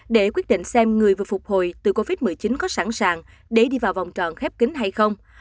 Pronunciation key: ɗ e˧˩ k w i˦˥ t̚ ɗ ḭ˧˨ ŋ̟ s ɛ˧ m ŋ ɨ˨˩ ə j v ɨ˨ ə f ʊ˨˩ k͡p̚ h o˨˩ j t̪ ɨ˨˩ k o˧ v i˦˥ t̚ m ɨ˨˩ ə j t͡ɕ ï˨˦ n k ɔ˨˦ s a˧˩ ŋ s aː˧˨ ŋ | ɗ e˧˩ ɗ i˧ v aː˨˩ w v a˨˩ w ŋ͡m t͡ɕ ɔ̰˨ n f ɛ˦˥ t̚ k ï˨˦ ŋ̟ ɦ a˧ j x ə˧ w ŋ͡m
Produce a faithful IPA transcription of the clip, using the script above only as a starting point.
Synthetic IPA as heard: ɗ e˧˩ k w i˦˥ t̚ ɗ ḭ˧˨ ŋ̟ s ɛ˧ m ŋ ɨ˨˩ ə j v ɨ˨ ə f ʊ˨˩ k͡p̚ h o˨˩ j t̪ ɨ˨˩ k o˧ v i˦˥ t̚ m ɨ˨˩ ə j t͡ɕ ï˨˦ n k ɔ˨˦ s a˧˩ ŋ s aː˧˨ ŋ | ɗ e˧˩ ɗ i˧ v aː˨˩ w v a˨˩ w ŋ͡m t͡ɕ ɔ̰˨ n x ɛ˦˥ p̚ k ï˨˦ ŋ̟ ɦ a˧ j x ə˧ w ŋ͡m